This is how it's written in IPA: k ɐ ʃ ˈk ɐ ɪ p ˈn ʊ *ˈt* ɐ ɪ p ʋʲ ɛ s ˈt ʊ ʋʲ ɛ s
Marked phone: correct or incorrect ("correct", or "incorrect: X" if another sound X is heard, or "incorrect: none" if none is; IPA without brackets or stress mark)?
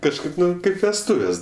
incorrect: k